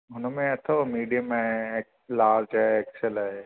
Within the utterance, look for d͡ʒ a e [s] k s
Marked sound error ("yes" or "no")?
yes